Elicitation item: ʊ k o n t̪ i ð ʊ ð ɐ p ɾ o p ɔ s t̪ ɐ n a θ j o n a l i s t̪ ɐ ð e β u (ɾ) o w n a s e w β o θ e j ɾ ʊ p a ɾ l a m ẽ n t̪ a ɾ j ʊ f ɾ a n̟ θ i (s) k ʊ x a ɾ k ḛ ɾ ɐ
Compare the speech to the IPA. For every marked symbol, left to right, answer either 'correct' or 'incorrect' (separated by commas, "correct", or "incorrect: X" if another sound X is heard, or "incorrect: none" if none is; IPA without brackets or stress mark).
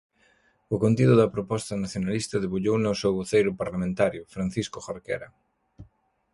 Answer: incorrect: ʎ, correct